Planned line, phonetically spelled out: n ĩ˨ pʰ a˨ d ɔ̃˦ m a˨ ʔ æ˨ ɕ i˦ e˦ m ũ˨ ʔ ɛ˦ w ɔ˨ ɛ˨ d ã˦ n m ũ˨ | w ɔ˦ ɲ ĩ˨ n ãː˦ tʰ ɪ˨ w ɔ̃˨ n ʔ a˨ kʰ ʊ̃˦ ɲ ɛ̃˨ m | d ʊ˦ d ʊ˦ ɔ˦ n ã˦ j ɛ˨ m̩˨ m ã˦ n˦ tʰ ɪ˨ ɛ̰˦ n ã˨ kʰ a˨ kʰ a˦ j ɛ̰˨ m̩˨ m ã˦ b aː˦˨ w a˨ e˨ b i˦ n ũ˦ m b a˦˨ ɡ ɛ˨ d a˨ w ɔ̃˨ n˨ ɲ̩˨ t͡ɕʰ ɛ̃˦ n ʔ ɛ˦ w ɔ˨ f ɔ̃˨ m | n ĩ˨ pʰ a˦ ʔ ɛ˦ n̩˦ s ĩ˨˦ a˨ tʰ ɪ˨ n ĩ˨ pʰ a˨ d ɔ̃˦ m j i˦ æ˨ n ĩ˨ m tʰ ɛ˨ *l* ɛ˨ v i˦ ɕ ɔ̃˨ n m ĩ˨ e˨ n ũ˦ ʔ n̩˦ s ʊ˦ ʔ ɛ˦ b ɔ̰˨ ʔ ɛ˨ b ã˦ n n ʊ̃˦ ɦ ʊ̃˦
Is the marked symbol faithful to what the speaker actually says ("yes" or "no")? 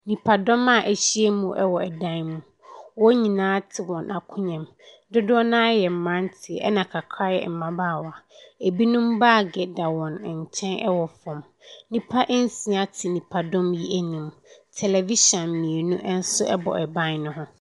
yes